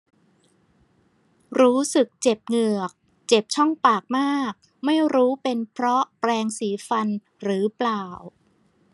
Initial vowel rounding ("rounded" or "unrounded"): rounded